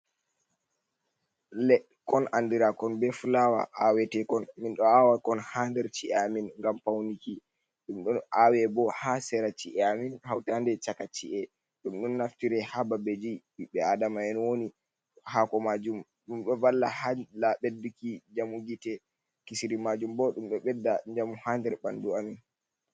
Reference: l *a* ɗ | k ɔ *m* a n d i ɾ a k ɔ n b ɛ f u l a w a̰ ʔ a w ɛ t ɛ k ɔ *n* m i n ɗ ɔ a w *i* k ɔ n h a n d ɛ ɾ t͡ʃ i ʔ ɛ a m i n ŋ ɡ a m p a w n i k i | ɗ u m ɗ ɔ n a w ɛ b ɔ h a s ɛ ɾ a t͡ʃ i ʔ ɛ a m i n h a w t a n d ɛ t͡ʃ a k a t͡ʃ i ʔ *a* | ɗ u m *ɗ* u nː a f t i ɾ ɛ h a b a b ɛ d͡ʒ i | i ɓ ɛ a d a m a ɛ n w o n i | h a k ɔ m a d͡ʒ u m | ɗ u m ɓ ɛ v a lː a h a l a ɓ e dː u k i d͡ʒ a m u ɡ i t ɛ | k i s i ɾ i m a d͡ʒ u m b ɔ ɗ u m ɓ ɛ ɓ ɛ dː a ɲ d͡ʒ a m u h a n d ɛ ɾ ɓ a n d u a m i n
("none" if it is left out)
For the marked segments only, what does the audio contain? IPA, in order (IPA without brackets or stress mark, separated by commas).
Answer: ɛ, n, n, a, ɛ, ɗ